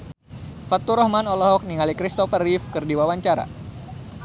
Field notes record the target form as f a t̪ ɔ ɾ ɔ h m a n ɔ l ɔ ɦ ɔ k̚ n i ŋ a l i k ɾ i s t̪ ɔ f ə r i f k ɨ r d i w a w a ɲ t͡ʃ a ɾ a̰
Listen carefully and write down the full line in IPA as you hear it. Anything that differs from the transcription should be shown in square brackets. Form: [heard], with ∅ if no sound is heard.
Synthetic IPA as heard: f a t̪ [u] ɾ ɔ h m a n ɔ l ɔ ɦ ɔ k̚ n i ŋ a l i k ɾ i s t̪ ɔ f ə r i f k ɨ r d i w a w a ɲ t͡ʃ a ɾ a̰